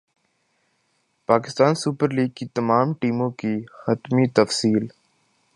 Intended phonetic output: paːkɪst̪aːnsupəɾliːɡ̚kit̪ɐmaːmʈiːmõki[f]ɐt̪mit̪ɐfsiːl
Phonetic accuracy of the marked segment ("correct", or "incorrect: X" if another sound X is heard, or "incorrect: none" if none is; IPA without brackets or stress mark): incorrect: x